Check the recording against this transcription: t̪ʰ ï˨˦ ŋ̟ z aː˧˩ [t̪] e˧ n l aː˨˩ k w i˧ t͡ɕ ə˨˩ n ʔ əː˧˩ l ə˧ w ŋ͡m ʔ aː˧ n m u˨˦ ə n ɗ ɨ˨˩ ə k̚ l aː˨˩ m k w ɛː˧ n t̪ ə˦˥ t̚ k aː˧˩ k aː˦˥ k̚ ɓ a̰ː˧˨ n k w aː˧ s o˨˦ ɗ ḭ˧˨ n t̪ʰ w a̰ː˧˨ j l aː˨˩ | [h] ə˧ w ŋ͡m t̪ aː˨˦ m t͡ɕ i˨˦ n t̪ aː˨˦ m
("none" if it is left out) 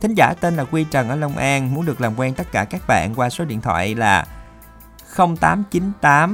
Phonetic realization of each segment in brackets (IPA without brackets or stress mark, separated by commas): t̪, x